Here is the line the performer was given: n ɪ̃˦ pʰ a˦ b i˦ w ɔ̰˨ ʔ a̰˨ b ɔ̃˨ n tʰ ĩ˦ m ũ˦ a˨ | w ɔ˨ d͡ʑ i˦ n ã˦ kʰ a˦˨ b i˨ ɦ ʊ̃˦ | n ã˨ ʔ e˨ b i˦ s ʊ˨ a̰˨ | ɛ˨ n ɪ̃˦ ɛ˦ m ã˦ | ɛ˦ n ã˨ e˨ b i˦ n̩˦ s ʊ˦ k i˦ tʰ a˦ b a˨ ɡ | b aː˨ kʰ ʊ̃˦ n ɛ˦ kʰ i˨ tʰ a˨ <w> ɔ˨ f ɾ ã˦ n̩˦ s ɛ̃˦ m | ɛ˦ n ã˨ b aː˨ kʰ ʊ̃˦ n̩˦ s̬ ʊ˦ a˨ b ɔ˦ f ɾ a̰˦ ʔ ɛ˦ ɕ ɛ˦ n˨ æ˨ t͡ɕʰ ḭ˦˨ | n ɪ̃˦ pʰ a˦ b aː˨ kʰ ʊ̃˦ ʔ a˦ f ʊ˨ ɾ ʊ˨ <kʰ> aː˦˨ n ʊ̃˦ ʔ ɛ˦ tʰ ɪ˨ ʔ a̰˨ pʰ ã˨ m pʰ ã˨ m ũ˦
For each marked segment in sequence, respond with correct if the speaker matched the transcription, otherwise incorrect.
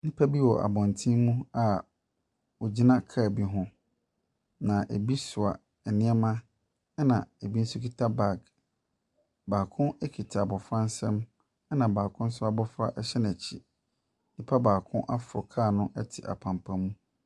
incorrect: b, correct

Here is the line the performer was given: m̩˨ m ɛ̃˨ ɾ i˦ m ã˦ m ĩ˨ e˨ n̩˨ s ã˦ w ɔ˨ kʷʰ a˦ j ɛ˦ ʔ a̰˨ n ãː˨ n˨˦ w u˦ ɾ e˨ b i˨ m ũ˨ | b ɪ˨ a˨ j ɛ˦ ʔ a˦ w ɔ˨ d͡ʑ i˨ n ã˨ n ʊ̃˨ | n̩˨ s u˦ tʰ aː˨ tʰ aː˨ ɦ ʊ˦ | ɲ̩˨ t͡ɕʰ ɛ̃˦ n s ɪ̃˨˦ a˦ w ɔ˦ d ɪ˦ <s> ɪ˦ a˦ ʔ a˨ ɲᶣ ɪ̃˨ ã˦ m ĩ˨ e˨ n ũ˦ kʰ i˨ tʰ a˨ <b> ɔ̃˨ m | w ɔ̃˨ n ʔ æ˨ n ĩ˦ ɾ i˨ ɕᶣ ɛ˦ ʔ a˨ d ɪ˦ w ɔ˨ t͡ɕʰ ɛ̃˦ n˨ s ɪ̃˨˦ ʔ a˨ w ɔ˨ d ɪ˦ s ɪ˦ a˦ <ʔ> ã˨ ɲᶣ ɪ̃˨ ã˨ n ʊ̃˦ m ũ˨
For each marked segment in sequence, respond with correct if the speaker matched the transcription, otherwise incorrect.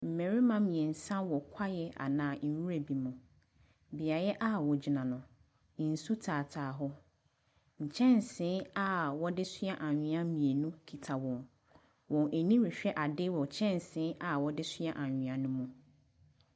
correct, incorrect: w, correct

